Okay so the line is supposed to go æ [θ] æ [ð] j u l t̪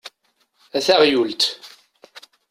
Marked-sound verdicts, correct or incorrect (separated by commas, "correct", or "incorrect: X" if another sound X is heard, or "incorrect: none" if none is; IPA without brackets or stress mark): correct, incorrect: ʁ